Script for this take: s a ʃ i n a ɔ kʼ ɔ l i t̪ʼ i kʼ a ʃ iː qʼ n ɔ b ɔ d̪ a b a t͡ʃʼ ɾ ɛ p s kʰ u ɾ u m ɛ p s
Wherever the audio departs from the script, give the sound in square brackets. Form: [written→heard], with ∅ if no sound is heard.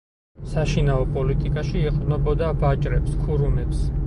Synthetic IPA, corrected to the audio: s a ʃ i n a ɔ [kʼ→pʼ] ɔ l i t̪ʼ i kʼ a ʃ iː qʼ n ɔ b ɔ d̪ a b a t͡ʃʼ ɾ ɛ p s kʰ u ɾ u m ɛ p s